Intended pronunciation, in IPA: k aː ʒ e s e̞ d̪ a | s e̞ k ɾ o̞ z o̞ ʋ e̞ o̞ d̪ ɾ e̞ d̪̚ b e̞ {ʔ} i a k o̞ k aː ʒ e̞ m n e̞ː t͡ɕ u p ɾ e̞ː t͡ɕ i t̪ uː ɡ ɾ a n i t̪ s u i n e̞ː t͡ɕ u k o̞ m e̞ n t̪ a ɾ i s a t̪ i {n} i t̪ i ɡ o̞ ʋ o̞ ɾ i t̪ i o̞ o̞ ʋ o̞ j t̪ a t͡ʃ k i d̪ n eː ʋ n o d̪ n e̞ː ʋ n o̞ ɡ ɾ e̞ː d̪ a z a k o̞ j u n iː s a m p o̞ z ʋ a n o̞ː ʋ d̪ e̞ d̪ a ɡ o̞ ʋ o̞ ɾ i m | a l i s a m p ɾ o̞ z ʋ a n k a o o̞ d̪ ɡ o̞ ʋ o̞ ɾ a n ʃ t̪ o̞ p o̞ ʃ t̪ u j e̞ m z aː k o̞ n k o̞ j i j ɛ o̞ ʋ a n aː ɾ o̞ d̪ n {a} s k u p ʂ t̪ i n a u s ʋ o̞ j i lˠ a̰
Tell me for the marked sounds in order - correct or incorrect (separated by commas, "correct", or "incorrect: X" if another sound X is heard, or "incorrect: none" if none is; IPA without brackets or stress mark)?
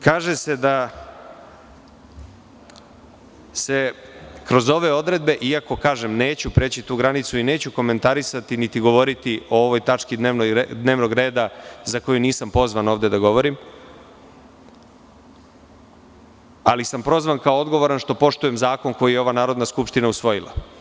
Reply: correct, correct, correct